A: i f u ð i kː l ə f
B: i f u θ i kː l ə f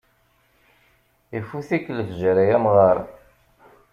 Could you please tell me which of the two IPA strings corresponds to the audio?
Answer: B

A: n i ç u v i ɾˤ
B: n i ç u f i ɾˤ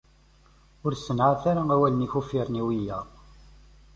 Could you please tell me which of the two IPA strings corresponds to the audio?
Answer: B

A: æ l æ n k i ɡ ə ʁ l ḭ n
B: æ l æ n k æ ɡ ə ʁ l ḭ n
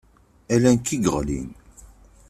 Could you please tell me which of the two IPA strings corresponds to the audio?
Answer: A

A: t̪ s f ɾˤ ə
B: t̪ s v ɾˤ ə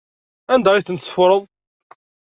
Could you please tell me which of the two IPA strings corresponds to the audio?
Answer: A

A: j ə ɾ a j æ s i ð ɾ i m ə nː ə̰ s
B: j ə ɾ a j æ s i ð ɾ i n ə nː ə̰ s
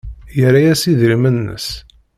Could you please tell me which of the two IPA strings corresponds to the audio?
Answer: A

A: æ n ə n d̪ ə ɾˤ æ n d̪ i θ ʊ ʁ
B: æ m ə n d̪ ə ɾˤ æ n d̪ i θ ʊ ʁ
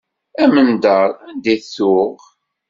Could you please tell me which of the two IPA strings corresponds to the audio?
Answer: B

